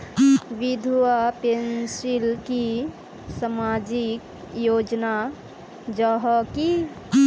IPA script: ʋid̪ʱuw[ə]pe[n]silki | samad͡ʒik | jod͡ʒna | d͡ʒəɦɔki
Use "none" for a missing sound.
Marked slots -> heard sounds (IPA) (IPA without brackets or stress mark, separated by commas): a, n